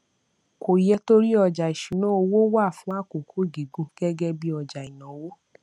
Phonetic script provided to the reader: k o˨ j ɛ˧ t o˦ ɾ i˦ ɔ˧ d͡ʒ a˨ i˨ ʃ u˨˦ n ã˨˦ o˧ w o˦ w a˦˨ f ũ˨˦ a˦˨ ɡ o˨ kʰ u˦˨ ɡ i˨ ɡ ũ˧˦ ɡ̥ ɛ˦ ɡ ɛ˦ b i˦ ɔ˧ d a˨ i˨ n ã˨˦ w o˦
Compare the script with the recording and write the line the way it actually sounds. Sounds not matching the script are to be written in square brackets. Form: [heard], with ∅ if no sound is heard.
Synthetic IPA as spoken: k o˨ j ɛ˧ t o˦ ɾ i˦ ɔ˧ d͡ʒ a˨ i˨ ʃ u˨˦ n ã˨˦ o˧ w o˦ w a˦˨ f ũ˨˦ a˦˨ [k] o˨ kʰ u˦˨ ɡ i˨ ɡ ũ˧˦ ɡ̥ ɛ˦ ɡ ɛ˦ b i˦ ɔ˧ [d͡ʒ] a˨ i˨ n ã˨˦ w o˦